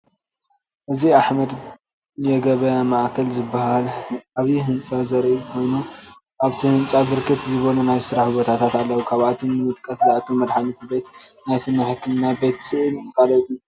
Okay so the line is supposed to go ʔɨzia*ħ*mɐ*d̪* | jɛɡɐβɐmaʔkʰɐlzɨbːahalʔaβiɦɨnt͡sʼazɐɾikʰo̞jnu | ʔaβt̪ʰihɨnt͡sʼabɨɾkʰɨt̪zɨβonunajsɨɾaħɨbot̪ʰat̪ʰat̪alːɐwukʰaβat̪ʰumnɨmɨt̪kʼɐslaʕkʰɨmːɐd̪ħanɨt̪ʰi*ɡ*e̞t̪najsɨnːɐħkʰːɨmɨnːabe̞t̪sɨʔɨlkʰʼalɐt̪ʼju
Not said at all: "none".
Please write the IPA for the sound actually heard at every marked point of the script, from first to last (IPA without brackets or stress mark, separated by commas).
ħ, d̪, b